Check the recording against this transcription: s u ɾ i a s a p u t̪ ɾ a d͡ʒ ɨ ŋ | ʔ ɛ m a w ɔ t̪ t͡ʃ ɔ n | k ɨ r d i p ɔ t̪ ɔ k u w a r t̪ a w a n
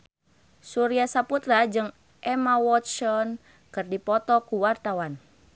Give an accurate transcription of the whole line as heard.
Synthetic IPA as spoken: s u ɾ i a s a p u t̪ ɾ a d͡ʒ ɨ ŋ | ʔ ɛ m a w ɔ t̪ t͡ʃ ɔ n | k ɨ r d i p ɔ t̪ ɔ k u w a r t̪ a w a n